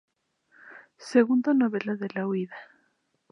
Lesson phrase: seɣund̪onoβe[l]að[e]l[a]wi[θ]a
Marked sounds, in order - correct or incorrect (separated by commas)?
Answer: correct, correct, correct, incorrect